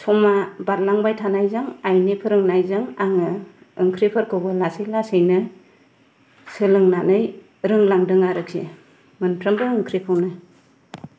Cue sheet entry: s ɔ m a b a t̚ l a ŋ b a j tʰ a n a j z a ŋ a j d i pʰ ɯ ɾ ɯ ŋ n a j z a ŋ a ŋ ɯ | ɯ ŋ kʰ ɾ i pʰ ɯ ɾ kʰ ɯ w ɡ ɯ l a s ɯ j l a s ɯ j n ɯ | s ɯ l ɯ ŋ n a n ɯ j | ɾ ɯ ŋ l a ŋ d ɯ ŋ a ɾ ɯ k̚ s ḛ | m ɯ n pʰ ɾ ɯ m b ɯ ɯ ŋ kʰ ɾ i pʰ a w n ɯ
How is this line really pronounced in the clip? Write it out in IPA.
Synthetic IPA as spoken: s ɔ m a b a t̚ l a ŋ b a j tʰ a n a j z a ŋ a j n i pʰ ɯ ɾ ɯ ŋ n a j z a ŋ a ŋ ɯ | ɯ ŋ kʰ ɾ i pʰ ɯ ɾ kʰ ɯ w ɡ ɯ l a s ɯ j l a s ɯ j n ɯ | s ɯ l ɯ ŋ n a n ɯ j | ɾ ɯ ŋ l a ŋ d ɯ ŋ a ɾ ɯ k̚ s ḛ | m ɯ n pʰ ɾ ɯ m b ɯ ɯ ŋ kʰ ɾ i pʰ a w n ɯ